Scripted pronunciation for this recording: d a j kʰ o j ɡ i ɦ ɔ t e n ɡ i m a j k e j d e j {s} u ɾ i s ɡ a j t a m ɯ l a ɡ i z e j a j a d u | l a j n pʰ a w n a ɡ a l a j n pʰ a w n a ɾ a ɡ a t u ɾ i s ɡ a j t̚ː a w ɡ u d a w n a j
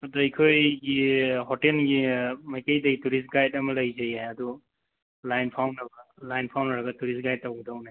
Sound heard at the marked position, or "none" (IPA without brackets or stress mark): t